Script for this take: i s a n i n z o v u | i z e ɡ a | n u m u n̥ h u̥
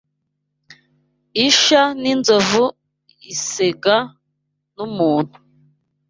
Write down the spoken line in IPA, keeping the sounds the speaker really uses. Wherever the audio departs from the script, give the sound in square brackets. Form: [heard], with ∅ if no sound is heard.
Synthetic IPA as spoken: i [ʃ] a n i n z o v u | i [s] e ɡ a | n u m [uː] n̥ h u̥